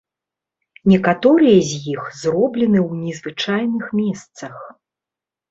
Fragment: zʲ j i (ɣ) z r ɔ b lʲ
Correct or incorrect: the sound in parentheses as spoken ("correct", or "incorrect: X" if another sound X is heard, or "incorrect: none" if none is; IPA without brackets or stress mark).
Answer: incorrect: x